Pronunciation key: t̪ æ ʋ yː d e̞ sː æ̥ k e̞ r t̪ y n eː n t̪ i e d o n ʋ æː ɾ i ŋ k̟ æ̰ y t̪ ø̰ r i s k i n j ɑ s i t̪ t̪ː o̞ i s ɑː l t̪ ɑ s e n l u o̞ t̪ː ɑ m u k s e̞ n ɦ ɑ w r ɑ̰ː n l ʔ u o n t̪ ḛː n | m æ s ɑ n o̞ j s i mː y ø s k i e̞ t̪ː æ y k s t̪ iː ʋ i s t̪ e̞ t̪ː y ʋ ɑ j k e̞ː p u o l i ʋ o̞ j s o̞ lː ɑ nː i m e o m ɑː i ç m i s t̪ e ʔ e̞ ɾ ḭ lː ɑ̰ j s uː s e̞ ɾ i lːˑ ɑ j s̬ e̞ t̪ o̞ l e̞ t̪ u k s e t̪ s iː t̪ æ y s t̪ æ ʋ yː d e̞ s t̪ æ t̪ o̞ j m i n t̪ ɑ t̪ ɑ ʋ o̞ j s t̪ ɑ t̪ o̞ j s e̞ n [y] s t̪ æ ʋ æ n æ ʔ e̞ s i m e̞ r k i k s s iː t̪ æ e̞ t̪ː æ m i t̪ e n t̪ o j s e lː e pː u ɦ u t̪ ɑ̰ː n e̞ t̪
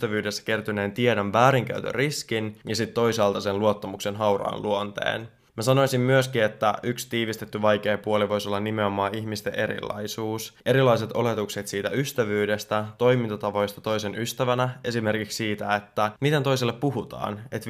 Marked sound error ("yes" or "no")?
no